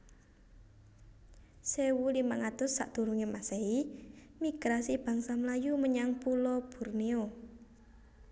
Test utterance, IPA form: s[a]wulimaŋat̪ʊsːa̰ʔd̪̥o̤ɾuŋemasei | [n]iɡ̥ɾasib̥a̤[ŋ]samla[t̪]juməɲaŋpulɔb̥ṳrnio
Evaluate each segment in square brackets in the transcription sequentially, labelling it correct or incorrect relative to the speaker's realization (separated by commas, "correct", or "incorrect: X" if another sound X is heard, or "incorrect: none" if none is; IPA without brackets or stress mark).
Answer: incorrect: e, incorrect: m, correct, incorrect: none